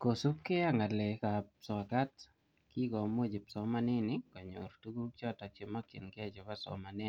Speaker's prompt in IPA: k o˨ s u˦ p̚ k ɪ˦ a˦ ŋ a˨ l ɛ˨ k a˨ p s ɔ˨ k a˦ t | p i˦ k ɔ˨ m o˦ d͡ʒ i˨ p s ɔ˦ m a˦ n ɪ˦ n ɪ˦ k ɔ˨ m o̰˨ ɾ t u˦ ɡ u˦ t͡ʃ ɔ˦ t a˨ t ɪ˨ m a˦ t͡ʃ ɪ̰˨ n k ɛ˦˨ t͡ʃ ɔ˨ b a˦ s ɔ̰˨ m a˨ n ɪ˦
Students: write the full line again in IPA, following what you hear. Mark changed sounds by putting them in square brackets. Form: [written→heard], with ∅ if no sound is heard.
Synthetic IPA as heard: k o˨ s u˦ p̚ k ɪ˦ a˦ ŋ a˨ l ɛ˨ k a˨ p s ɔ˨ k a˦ t | [p→k] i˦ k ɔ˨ m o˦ d͡ʒ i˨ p s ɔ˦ m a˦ n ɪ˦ n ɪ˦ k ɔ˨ [m→ɲ] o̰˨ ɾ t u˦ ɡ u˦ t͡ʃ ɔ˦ t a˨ [t→t͡ʃ] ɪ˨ m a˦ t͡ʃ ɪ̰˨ n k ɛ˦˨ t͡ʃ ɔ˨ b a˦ s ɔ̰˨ m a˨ n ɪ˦

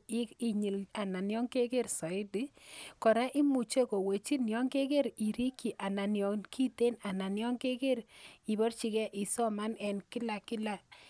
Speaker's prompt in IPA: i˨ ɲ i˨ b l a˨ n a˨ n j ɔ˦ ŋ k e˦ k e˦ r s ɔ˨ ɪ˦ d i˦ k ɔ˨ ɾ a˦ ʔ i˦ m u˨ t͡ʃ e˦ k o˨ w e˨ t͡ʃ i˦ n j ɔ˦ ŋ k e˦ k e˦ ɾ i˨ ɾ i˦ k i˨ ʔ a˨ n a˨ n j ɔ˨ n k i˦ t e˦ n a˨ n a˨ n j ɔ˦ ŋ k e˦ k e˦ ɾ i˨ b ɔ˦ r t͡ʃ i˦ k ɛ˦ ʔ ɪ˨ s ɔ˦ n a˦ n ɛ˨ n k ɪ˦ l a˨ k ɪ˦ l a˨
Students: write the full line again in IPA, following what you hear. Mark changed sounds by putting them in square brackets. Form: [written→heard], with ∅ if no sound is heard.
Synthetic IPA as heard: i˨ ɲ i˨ [b→∅] l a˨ n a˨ n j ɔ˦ ŋ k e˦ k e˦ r s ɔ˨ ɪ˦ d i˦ k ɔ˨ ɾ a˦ ʔ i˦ m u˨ t͡ʃ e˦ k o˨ w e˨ t͡ʃ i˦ n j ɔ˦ ŋ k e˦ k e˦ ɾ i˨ ɾ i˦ k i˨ ʔ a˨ n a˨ n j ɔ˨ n k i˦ t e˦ n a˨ n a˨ n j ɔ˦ ŋ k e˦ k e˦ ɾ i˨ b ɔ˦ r t͡ʃ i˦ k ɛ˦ ʔ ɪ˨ s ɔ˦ [n→m] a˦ n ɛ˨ n k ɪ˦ l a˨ k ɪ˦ l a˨

